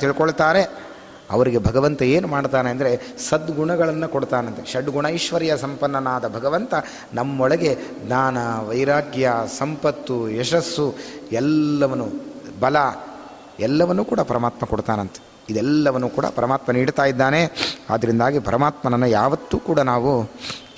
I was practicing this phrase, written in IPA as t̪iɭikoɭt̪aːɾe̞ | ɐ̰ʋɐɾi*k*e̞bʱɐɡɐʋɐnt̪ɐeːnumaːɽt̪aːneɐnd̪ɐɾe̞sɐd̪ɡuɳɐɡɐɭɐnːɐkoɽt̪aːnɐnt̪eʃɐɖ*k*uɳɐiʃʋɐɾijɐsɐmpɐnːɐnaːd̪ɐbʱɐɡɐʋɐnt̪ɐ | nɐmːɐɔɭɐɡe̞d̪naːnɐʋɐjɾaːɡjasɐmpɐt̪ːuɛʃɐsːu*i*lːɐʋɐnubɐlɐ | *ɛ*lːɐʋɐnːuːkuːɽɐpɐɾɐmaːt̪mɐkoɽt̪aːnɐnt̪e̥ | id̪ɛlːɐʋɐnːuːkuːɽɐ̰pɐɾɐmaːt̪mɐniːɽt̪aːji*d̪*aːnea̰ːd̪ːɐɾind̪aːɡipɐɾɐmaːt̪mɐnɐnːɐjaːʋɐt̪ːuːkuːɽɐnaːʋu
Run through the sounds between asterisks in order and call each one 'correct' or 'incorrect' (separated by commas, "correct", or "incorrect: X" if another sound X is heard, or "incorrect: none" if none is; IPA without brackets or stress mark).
incorrect: ɡ, incorrect: ɡ, incorrect: ɛ, correct, incorrect: d̪ː